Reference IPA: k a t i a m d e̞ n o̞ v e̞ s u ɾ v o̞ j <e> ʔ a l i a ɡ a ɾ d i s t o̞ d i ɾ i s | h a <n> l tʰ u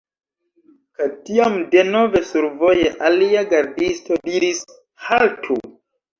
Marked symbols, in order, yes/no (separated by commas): yes, no